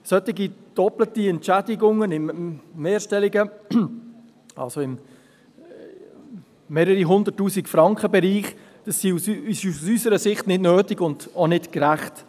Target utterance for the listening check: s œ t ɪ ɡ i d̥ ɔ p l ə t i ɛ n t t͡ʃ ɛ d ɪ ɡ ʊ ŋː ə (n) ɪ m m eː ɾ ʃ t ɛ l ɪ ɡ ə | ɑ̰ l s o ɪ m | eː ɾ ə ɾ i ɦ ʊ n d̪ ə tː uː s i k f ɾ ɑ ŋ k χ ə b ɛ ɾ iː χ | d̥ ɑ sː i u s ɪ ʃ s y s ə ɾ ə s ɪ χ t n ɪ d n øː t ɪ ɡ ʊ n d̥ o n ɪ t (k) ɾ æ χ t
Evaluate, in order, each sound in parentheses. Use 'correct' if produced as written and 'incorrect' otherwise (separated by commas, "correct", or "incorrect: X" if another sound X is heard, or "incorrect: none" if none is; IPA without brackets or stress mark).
correct, correct